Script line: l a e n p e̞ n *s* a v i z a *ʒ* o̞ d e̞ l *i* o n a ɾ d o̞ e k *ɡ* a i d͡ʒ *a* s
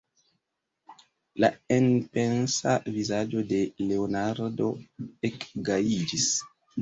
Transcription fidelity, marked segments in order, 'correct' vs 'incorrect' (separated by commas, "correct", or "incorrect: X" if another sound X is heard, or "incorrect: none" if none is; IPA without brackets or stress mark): correct, incorrect: d͡ʒ, incorrect: e, correct, incorrect: i